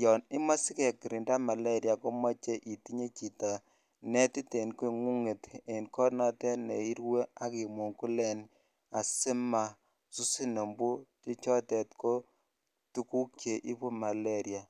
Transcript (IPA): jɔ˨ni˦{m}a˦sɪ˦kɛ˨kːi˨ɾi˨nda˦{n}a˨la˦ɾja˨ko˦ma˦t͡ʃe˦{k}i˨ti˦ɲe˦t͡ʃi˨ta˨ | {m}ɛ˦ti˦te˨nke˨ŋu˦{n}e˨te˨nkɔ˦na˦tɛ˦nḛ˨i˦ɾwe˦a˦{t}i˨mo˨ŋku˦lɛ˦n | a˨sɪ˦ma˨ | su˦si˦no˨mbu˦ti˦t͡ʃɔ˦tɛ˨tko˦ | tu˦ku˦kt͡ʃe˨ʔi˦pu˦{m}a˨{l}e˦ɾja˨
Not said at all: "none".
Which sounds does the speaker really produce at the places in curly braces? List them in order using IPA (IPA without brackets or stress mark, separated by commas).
m, m, ʔ, n, ŋ, k, m, l